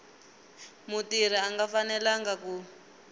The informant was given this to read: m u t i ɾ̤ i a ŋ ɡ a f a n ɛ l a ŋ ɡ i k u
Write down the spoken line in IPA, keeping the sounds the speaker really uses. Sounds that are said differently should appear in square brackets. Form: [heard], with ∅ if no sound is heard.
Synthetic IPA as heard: m u t i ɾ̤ i a ŋ ɡ a f a n ɛ l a ŋ ɡ [a] k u